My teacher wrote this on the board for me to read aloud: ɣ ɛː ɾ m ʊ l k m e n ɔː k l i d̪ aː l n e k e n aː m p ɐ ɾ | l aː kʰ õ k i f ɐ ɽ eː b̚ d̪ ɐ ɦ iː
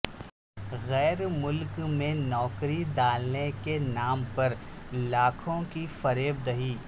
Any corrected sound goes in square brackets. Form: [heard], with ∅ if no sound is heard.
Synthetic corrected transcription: ɣ ɛː ɾ m ʊ l k m [ẽ] n ɔː k [ɾ] i d̪ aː l n e k e n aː m p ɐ ɾ | l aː kʰ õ k i f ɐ [ɾ] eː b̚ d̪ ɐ ɦ iː

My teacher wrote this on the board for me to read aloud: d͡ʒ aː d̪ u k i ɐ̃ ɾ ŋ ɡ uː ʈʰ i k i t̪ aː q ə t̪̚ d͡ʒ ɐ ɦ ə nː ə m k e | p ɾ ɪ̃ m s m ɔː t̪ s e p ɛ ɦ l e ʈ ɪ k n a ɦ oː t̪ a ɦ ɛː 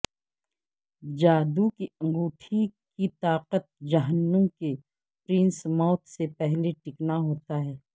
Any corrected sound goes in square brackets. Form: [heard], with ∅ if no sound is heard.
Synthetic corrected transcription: d͡ʒ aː d̪ u k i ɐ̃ [∅] ŋ ɡ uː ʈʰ i k i t̪ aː q ə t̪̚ d͡ʒ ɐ ɦ ə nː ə m k e | p ɾ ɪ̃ [n] s m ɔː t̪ s e p ɛ ɦ l e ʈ ɪ k n a ɦ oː t̪ a ɦ ɛː

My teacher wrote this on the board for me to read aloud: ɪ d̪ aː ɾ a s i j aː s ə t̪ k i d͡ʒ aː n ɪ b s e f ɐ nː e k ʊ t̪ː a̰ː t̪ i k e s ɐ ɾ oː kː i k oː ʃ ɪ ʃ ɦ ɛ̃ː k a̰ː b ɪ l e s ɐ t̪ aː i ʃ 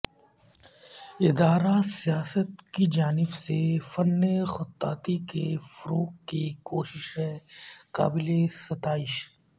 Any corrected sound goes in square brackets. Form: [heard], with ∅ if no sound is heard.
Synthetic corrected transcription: ɪ d̪ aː ɾ a s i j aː s ə t̪ k i d͡ʒ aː n ɪ b s e f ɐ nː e [x] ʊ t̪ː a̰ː t̪ i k e [f] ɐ ɾ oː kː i k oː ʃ ɪ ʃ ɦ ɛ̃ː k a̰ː b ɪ l e s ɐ t̪ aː [ɪ] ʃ

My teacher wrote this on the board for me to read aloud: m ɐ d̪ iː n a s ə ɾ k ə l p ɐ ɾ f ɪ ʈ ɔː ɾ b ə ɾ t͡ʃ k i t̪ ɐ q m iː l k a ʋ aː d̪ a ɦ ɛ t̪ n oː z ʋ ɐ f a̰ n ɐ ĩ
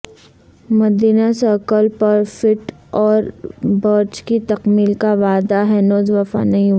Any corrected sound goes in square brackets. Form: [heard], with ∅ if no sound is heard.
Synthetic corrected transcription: m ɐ d̪ iː n a s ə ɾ k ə l p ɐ ɾ f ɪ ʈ ɔː ɾ b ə ɾ t͡ʃ k i t̪ ɐ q m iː l k a ʋ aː d̪ a ɦ ɛ [∅] n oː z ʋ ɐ f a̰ n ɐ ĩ

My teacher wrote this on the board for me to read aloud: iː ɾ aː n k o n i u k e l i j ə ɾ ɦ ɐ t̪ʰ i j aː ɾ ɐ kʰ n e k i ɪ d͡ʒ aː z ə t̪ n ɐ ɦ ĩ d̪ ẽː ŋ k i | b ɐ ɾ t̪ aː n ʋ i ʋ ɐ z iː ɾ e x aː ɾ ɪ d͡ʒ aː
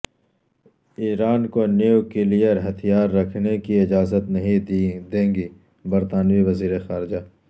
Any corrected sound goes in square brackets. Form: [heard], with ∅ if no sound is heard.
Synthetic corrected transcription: iː ɾ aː n k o n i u k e l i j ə ɾ ɦ ɐ t̪ʰ i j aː [ɾː] ɐ kʰ n e k i ɪ d͡ʒ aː z ə t̪ n ɐ ɦ ĩ d̪ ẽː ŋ [ɡ] i | b ɐ ɾ t̪ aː n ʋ i ʋ ɐ z iː ɾ e x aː ɾ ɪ d͡ʒ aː

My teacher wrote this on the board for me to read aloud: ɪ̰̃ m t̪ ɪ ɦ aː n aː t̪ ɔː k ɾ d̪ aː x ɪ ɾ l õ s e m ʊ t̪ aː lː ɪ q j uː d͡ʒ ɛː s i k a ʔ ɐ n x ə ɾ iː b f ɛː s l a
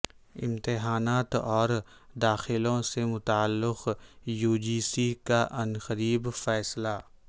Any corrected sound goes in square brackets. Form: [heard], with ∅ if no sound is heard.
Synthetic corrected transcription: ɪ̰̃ m t̪ ɪ ɦ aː n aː t̪ ɔː [∅] ɾ d̪ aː x ɪ [∅] l õ s e m ʊ t̪ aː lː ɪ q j uː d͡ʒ [iː] s i k a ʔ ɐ n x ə ɾ iː b f ɛː s l a

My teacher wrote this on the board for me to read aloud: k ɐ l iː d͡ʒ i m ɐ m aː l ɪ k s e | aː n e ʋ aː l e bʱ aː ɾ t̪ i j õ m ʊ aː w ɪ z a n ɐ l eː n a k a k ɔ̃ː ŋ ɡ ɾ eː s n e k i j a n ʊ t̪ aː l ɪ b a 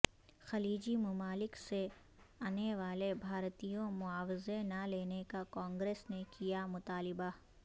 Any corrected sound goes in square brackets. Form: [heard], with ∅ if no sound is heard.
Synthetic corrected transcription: [x] ɐ l iː d͡ʒ i m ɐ m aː l ɪ k s e | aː n e ʋ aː l e bʱ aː ɾ t̪ i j õ m ʊ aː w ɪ z [e] n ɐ l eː n [e] k a k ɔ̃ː ŋ ɡ ɾ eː s n e k i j a [m] ʊ t̪ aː l ɪ b a

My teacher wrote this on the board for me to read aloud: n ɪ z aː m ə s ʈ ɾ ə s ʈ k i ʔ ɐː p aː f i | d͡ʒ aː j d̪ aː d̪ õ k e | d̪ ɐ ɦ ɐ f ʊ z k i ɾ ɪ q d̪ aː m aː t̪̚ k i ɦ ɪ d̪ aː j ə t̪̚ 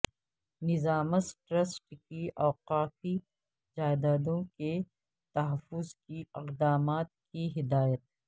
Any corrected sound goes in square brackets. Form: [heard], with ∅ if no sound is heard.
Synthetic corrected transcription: n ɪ z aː m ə s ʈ ɾ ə s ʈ k i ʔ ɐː [q] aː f i | d͡ʒ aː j d̪ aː d̪ õ k e | [t̪] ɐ ɦ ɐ f ʊ z k i [∅] ɪ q d̪ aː m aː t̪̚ k i ɦ ɪ d̪ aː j ə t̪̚

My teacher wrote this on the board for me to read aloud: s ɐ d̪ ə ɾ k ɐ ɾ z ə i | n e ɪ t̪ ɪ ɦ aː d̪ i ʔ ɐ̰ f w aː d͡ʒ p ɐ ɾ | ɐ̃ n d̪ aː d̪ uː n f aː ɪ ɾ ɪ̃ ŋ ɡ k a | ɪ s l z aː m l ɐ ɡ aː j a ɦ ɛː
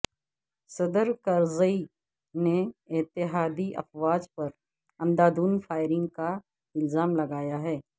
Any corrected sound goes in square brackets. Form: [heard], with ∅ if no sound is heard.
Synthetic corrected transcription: s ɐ d̪ ə ɾ k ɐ ɾ z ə i | n e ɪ t̪ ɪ ɦ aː d̪ i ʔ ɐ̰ f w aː d͡ʒ p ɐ ɾ | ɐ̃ n d̪ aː d̪ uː n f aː ɪ ɾ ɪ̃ ŋ ɡ k a | ɪ [∅] l z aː m l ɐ ɡ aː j a ɦ ɛː

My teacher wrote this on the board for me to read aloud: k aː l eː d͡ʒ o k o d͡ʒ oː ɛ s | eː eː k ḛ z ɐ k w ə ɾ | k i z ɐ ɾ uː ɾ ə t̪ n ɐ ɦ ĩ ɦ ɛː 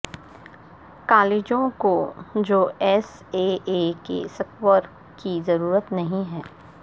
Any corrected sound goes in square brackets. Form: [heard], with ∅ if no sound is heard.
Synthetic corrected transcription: k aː l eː d͡ʒ [õ] k o d͡ʒ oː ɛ s | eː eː k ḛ [s] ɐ k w ə ɾ | k i z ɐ ɾ uː ɾ ə t̪ n ɐ ɦ ĩ ɦ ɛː

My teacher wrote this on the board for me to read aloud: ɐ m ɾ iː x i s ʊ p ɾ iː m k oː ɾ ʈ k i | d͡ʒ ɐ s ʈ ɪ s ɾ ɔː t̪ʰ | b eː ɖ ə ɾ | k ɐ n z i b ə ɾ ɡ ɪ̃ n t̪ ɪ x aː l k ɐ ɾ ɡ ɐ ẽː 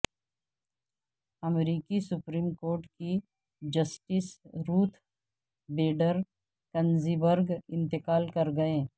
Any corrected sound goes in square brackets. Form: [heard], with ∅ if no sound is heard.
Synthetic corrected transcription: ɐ m ɾ iː [k] i s ʊ p ɾ iː m k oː ɾ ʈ k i | d͡ʒ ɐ s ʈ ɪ s ɾ [uː] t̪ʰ | b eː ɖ ə ɾ | k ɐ n z i b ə ɾ ɡ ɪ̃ n t̪ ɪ [k] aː l k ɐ ɾ ɡ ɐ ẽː

